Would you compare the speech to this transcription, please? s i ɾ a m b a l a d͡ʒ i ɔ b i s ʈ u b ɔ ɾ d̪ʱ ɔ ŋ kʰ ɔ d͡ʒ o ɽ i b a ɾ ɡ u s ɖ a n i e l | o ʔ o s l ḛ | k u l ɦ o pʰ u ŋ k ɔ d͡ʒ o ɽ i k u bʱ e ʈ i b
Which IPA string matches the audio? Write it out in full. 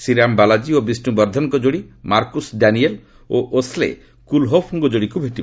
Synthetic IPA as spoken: s i ɾ a m b a l a d͡ʒ i o b i s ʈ u b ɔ ɾ d̪ʱ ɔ ŋ k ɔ d͡ʒ o ɽ i m a ɾ k u s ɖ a n i e l | o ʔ o s l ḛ | k u l ɦ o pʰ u ŋ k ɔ d͡ʒ o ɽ i k u bʱ e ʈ i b